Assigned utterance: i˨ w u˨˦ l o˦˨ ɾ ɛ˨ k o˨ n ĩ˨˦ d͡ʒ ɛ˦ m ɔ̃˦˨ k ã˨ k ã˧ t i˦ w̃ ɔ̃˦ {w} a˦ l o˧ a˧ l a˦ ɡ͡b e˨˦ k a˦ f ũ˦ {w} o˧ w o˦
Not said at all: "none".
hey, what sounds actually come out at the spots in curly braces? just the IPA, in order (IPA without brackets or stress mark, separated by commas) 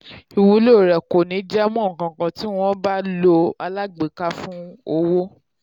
b, none